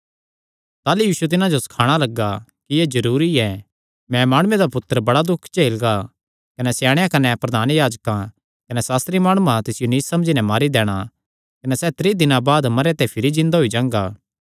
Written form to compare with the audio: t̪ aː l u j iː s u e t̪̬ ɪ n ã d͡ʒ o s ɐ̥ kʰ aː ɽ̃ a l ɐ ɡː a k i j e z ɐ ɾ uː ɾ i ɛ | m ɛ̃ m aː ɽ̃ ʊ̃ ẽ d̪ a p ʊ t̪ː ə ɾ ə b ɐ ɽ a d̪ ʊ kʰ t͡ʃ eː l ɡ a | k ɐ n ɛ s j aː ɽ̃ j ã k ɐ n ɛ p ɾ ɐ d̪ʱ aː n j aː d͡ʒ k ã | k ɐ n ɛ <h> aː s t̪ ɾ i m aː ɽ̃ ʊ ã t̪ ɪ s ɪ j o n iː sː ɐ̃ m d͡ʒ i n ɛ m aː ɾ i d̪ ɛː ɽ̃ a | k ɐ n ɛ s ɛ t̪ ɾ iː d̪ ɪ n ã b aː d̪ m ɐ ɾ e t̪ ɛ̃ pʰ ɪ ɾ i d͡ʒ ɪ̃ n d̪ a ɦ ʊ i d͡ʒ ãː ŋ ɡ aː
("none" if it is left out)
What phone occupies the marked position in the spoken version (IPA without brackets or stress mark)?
s